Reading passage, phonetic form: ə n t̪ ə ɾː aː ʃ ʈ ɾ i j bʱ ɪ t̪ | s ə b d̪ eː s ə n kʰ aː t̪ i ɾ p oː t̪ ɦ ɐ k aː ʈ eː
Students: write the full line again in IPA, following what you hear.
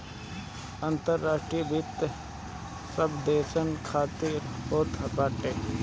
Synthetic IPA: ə n t̪ ə ɾː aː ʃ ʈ ɾ i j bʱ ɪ t̪ | s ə b d̪ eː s ə n kʰ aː t̪ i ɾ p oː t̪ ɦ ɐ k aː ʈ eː